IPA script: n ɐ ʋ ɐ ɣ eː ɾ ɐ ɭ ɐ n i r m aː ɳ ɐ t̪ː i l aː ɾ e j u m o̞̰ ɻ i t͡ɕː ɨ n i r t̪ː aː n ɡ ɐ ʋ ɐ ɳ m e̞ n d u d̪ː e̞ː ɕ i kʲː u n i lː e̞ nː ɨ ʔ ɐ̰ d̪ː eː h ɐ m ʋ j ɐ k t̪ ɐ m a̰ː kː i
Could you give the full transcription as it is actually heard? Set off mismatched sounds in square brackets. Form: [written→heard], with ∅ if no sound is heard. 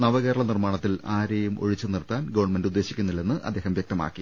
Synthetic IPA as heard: n ɐ ʋ ɐ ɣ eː ɾ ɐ ɭ ɐ n i r m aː ɳ ɐ t̪ː i l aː ɾ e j u m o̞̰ ɻ i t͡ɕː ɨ n i r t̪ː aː n ɡ ɐ ʋ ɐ ɳ m e̞ n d u d̪ː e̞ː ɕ i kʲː u [n→nː] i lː e̞ nː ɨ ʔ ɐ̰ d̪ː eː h ɐ m ʋ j ɐ k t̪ ɐ m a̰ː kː i